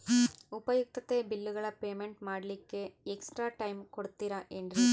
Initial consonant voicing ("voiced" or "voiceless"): voiceless